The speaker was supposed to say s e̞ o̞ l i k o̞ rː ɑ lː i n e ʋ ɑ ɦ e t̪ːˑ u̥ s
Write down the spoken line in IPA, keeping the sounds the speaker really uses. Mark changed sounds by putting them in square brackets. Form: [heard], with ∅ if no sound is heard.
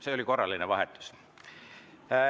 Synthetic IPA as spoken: s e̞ o̞ l i k o̞ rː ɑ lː i n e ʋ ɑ ɦ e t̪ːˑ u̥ s